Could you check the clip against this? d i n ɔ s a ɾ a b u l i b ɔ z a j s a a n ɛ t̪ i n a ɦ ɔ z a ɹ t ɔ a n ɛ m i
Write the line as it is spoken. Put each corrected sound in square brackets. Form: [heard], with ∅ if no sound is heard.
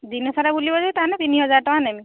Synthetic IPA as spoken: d i n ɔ s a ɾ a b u l i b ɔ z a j [t] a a n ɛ t̪ i n [i] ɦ ɔ z a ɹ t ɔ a n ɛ m i